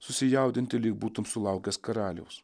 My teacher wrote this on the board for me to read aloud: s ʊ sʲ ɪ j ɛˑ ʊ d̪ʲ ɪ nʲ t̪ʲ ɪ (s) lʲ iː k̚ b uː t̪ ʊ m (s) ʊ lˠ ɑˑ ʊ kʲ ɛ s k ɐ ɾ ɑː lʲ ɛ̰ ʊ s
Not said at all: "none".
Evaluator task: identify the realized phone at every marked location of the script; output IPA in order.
none, s

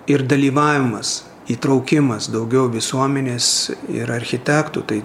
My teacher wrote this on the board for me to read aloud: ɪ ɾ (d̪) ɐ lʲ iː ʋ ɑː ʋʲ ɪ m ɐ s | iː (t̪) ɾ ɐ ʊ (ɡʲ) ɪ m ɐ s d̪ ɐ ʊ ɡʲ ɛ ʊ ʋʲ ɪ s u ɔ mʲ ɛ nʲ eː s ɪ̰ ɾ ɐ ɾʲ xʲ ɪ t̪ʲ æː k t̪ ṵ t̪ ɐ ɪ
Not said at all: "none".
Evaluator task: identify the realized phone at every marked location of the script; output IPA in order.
d̪, t̪, kʲ

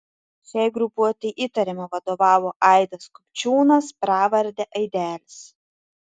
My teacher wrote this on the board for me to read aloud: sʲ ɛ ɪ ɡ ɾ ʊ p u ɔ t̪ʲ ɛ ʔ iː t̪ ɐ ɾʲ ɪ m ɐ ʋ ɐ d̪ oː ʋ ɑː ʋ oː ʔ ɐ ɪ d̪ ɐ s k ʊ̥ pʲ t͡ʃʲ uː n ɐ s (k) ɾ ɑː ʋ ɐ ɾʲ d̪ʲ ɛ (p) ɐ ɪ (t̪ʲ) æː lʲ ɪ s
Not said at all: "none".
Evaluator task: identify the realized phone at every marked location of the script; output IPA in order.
p, ʔ, d̪ʲ

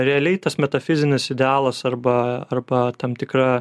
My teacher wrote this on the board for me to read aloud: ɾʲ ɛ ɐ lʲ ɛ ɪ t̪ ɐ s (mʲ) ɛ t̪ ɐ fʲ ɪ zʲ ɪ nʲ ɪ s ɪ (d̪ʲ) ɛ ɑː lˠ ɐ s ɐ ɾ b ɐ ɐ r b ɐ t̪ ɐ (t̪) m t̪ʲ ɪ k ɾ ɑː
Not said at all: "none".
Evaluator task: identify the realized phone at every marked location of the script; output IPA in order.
mʲ, d̪ʲ, none

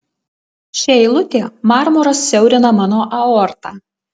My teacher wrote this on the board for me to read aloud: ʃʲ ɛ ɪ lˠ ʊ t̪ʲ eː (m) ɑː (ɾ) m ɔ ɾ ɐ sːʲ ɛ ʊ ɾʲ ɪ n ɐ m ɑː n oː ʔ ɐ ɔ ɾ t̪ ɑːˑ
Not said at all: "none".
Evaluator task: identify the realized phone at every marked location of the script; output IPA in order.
m, ɾ

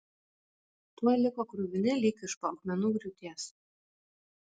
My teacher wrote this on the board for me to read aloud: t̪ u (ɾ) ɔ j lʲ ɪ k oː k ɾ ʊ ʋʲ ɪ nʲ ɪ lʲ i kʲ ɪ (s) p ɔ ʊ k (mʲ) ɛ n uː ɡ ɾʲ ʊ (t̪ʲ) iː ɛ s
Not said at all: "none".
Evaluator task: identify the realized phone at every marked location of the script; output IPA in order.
none, ʃ, mʲ, t̪ʲ

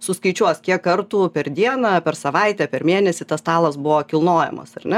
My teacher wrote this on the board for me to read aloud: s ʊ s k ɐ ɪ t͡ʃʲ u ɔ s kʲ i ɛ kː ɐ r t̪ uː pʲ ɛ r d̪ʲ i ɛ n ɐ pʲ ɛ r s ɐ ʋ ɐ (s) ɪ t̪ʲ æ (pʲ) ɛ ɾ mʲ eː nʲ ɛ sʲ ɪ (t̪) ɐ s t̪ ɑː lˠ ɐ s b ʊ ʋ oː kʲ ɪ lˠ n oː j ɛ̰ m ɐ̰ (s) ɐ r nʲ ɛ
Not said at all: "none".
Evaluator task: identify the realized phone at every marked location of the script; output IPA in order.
none, pʲ, t̪, s

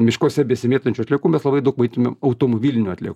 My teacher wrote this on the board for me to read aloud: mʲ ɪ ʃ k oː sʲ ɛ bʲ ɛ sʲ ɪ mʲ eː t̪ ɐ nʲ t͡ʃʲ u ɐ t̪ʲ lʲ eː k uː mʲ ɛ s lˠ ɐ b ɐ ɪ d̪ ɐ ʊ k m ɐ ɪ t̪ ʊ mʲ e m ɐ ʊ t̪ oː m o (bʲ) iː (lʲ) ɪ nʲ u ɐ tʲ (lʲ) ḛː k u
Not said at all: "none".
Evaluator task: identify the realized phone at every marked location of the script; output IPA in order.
bʲ, lʲ, lʲ

